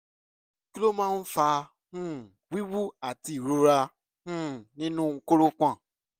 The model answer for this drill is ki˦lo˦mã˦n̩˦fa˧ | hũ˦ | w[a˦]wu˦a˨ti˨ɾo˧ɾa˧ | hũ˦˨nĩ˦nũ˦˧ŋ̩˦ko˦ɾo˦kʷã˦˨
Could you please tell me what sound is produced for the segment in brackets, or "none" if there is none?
i˦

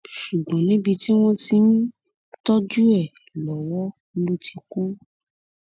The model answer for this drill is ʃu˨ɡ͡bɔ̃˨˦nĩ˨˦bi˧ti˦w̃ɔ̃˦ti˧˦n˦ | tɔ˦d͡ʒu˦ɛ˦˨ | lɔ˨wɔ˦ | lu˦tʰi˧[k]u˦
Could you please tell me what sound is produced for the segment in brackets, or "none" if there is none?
k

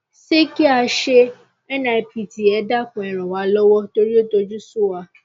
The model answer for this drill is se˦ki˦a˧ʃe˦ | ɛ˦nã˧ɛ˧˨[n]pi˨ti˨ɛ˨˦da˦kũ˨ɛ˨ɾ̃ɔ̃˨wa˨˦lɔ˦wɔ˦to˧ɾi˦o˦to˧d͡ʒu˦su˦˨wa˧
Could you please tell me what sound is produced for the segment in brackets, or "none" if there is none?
none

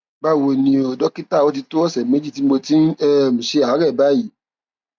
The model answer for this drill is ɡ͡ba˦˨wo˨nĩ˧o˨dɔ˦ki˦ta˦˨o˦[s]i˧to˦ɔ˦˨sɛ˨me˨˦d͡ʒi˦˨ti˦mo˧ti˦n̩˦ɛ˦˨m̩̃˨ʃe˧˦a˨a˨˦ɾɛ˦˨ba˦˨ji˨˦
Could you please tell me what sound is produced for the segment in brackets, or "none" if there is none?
t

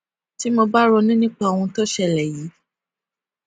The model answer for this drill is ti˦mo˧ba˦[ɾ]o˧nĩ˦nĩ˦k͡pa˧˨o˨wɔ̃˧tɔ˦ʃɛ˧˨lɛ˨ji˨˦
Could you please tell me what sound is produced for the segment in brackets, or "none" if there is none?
ɾ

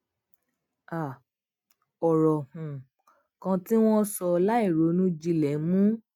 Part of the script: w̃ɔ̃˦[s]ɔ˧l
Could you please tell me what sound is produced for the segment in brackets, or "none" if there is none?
s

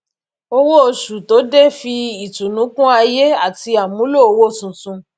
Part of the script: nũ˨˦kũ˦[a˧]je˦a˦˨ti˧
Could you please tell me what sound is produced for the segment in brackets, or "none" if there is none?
a˧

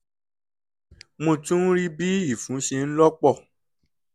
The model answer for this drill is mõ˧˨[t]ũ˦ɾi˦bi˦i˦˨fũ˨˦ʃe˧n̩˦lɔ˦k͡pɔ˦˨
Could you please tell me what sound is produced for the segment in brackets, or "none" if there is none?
t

